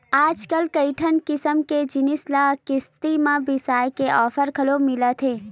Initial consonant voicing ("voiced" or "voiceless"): voiced